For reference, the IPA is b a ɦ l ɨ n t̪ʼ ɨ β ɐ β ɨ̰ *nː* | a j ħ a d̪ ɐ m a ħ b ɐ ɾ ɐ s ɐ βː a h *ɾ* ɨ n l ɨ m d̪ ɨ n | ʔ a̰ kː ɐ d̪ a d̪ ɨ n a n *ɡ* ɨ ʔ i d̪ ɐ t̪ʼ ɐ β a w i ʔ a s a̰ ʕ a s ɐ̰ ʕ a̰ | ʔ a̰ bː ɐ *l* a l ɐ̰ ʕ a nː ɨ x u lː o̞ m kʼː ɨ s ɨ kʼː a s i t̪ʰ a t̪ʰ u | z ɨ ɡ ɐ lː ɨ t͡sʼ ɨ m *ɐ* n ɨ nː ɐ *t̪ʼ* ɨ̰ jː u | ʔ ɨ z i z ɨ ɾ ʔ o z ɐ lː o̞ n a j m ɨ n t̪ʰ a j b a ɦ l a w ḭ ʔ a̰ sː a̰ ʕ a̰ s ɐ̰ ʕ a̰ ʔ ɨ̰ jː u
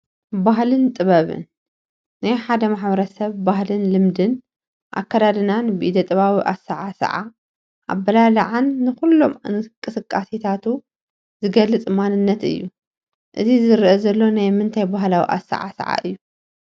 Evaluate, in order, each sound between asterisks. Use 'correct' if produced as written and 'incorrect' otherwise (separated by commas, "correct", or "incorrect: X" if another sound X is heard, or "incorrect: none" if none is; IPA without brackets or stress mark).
correct, incorrect: l, incorrect: b, correct, incorrect: a, incorrect: t̪